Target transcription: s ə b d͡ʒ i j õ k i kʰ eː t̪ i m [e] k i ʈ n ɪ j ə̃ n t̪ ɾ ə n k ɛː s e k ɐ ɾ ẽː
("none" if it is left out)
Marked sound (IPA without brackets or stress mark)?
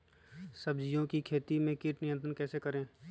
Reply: ẽ